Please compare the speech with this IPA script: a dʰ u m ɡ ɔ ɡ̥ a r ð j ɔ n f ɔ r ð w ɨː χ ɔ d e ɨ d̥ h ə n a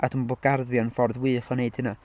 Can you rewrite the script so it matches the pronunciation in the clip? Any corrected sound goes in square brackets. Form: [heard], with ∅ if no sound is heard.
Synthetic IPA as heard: a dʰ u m [b] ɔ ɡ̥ a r ð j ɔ n f ɔ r ð w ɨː χ ɔ [n] e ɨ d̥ h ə n a